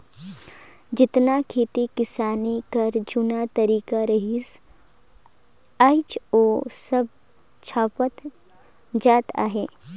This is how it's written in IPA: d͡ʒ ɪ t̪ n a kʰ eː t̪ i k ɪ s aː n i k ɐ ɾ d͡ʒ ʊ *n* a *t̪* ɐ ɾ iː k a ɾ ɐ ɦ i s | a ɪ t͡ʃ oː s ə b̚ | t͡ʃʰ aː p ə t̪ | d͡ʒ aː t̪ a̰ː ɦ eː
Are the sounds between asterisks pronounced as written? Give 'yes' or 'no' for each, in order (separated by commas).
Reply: yes, yes